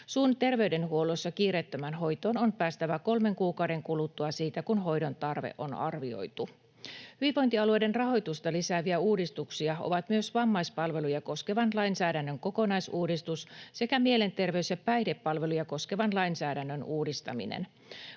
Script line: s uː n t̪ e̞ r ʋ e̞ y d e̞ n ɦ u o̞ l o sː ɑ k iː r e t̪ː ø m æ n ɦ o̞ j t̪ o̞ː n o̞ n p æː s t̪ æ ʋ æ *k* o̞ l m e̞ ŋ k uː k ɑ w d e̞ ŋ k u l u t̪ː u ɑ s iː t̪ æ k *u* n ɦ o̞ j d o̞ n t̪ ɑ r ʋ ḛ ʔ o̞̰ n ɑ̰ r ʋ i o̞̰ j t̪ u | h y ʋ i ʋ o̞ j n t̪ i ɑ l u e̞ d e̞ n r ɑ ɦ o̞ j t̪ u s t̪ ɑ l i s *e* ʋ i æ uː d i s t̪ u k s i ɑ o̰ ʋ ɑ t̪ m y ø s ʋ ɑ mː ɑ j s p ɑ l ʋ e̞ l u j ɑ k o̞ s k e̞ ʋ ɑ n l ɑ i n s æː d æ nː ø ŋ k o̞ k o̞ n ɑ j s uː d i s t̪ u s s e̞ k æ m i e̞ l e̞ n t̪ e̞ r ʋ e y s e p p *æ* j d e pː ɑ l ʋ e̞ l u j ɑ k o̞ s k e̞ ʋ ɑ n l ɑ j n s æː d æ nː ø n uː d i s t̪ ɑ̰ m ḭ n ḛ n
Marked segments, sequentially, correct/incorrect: correct, correct, incorrect, correct

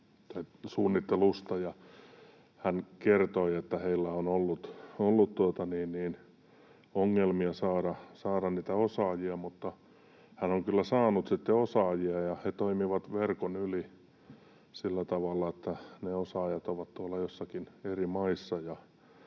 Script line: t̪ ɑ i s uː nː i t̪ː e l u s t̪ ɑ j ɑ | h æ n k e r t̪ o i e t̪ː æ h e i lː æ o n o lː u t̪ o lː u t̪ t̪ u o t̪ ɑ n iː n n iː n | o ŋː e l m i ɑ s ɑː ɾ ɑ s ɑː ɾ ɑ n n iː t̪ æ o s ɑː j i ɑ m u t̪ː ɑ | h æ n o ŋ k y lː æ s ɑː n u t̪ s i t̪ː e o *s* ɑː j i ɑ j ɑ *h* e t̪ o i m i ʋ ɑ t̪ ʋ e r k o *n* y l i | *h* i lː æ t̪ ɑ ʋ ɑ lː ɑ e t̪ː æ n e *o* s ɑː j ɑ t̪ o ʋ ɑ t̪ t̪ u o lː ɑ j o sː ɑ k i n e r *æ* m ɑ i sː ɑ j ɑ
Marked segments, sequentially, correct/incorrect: correct, correct, correct, incorrect, correct, incorrect

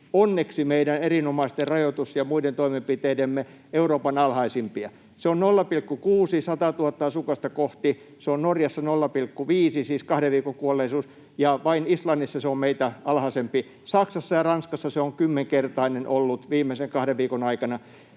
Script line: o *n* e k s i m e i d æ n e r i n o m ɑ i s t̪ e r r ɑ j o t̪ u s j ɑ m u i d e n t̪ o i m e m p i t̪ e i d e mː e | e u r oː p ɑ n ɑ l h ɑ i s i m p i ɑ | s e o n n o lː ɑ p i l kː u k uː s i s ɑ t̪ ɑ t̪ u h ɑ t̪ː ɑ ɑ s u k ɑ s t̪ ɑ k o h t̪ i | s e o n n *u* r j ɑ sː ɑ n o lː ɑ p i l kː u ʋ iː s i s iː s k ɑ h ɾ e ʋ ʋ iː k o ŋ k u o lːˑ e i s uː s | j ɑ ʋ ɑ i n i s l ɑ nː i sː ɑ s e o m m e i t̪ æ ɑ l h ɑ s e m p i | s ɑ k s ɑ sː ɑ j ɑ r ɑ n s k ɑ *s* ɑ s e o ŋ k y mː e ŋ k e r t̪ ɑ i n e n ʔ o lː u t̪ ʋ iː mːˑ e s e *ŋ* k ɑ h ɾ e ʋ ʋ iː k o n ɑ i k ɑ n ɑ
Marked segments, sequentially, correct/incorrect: incorrect, incorrect, incorrect, correct

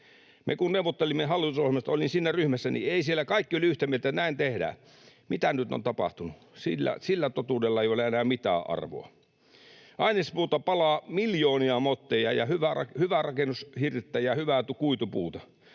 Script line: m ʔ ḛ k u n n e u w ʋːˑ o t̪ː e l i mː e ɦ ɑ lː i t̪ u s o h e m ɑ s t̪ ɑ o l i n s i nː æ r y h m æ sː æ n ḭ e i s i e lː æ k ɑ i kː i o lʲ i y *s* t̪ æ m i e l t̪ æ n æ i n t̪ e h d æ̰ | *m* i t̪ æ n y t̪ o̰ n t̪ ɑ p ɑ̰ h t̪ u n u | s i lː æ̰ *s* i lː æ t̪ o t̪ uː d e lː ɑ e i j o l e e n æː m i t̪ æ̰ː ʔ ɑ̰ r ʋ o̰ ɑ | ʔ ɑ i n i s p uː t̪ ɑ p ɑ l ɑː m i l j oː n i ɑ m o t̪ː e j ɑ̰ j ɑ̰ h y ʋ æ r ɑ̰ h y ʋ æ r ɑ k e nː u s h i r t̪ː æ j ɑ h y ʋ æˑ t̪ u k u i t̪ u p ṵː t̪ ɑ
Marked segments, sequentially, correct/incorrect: incorrect, correct, correct

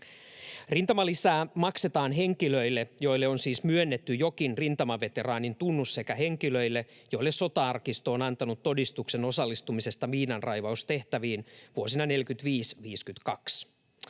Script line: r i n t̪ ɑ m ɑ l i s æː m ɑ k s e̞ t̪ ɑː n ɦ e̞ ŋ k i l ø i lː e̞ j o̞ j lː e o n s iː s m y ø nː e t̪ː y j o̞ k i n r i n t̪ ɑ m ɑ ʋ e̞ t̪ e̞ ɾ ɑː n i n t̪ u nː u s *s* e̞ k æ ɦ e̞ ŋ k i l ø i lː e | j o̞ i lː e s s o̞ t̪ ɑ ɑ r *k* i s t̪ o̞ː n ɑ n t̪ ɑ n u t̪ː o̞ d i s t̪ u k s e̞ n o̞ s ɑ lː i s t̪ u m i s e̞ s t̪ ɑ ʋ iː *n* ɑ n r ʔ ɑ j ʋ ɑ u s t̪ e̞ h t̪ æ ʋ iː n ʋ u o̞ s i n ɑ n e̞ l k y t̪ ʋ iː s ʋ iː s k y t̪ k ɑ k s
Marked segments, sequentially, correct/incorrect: correct, correct, correct

